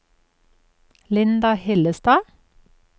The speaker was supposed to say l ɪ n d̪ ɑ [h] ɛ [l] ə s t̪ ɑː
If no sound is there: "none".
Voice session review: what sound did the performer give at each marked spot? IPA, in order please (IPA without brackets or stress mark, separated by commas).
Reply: h, l